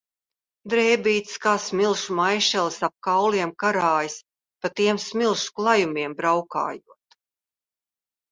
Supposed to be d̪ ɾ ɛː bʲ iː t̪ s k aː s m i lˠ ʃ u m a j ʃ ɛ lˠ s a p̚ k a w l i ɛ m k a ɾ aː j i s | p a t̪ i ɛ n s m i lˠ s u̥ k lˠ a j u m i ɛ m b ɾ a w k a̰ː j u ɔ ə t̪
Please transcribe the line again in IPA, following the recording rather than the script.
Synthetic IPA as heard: d̪ ɾ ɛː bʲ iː t̪ s k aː s m i lˠ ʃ u m a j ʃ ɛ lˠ s a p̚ k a w l i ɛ m k a ɾ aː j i s | p a t̪ i ɛ m s m i lˠ ʃ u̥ k lˠ a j u m i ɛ m b ɾ a w k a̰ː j u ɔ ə t̪